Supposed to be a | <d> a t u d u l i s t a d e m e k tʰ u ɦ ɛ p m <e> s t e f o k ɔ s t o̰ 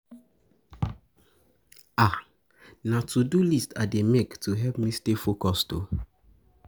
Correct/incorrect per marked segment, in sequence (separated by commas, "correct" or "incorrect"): incorrect, incorrect